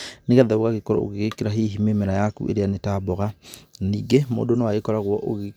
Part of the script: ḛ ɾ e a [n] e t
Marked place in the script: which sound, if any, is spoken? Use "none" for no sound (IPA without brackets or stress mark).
n